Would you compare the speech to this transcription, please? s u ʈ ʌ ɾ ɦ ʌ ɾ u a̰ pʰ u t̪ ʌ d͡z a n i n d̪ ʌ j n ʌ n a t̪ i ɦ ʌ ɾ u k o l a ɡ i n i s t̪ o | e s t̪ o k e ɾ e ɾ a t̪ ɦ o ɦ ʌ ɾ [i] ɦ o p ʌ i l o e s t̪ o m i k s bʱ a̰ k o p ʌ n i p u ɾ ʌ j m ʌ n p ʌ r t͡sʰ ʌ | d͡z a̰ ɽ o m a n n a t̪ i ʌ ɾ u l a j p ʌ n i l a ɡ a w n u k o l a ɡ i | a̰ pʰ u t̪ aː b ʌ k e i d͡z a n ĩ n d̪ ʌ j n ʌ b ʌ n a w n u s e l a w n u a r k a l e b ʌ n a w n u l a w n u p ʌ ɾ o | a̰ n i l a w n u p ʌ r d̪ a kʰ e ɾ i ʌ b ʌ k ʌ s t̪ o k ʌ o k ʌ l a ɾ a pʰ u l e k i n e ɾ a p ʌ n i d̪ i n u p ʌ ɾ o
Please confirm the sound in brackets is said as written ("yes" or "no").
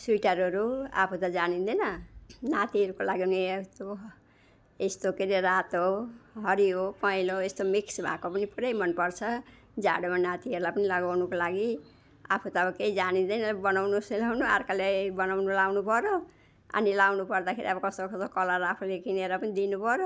yes